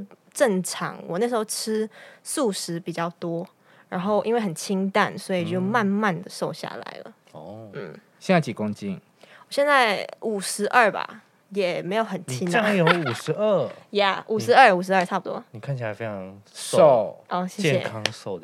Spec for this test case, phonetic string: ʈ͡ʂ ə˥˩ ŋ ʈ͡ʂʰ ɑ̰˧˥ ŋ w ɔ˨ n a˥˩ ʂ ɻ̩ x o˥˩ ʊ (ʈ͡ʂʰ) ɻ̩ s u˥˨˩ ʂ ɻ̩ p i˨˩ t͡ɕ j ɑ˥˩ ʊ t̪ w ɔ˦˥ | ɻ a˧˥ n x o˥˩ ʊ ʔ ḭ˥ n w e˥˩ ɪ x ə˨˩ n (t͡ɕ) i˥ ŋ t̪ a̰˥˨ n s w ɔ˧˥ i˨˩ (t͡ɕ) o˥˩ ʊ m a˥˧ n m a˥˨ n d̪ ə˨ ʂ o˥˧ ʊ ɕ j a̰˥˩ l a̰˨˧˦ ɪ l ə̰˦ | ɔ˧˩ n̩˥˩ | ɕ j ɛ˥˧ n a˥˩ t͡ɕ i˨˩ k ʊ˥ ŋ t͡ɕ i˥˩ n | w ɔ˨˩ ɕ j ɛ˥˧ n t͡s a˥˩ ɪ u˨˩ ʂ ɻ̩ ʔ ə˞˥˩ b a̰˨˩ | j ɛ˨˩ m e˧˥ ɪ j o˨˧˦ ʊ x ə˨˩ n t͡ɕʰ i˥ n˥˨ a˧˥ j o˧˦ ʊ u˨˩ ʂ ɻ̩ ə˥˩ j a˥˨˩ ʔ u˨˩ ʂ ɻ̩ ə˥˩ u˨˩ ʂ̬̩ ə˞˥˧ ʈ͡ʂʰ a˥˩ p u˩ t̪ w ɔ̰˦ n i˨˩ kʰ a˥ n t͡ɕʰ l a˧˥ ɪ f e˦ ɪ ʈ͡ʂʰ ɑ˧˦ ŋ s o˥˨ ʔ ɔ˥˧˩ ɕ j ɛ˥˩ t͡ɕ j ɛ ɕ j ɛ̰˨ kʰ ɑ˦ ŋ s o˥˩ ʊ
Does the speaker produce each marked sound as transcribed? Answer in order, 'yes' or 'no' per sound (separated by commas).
yes, no, yes